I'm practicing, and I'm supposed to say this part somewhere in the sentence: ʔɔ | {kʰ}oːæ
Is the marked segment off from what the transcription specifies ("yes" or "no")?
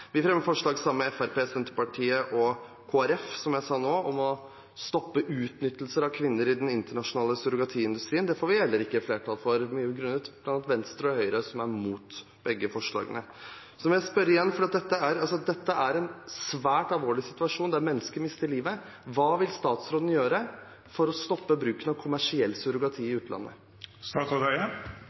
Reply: no